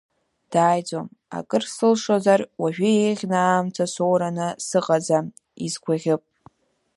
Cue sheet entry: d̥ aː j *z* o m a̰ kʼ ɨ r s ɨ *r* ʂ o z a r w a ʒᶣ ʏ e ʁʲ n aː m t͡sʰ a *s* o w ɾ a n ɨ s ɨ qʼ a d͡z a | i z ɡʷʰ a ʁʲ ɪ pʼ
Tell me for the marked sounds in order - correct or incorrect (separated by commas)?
incorrect, incorrect, correct